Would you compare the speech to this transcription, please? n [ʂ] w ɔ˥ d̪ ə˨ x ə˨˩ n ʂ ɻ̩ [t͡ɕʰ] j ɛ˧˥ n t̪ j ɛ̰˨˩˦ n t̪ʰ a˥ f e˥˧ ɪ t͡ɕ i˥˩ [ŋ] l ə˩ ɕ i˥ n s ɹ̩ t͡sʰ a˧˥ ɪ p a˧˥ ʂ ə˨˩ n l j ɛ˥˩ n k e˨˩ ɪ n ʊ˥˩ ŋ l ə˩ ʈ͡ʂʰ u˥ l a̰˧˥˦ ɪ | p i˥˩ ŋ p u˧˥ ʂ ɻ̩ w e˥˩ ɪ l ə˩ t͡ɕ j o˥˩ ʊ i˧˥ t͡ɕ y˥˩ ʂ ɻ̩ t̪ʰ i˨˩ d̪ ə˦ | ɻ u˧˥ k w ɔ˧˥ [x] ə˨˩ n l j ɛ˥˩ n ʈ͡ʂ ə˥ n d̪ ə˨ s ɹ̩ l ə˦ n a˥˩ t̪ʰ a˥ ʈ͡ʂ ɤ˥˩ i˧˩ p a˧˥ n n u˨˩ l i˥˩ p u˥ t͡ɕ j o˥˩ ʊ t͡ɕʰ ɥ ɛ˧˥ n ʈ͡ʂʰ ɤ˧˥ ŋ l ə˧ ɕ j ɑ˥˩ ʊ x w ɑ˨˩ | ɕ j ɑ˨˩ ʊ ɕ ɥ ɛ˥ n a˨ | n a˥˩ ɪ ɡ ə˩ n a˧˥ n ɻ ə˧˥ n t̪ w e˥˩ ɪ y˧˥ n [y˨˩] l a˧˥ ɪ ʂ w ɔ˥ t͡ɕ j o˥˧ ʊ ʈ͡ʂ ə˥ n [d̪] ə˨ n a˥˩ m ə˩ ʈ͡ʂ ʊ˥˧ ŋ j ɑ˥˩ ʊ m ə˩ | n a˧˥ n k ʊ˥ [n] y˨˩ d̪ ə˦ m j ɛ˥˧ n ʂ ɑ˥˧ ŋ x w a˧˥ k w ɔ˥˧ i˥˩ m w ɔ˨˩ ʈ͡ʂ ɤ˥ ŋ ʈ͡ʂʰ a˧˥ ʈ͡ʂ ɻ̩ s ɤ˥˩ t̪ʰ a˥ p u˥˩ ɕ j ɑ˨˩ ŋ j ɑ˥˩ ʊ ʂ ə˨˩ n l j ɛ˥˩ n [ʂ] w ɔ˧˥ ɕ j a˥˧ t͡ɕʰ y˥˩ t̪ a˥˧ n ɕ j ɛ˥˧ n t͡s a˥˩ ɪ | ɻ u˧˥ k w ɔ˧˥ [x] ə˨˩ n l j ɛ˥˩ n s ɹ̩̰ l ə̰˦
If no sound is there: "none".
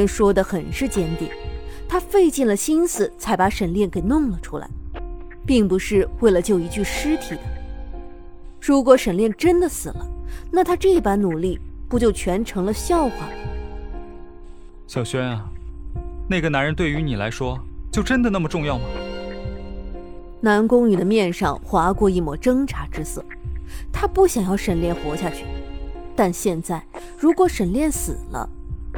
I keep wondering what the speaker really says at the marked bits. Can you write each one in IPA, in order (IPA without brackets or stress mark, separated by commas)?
ʂ, t͡ɕ, n, ʂ, i˨˩, d̪, ŋ, x, ʂ